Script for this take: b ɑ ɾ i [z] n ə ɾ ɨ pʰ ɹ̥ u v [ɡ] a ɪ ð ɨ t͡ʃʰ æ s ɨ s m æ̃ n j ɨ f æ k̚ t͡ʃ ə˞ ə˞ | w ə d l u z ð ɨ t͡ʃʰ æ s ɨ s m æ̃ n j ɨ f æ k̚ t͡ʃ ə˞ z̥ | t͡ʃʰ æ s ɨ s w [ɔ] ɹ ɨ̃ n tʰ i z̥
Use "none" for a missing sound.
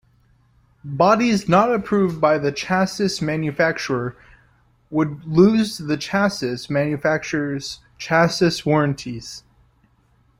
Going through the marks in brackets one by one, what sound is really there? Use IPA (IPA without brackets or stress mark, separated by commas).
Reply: z, b, ɔ